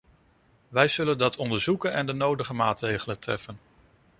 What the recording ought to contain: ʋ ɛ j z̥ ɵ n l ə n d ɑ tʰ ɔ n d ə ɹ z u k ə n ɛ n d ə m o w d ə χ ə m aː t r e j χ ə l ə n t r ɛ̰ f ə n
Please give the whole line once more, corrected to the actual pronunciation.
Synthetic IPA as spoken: ʋ ɛ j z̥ ɵ l ə n d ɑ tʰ ɔ n d ə ɹ z u k ə n ɛ n d ə n o w d ə χ ə m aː t r e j χ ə l ə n t r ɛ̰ f ə n